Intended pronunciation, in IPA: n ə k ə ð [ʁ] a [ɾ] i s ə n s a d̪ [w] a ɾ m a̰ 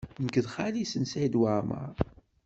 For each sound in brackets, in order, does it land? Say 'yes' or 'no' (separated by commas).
no, no, yes